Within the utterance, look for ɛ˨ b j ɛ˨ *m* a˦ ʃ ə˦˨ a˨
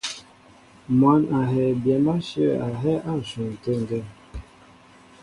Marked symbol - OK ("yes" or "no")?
yes